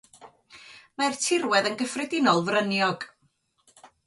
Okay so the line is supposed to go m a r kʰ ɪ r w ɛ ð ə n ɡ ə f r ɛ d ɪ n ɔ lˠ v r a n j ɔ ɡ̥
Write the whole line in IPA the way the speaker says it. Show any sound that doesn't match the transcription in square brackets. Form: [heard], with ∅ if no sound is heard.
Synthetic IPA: m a r [tʰ] ɪ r w ɛ ð ə n ɡ ə f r ɛ d ɪ n ɔ lˠ v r [ə] n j ɔ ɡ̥